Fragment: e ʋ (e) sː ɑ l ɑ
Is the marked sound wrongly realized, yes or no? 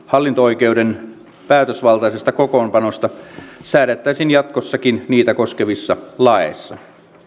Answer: yes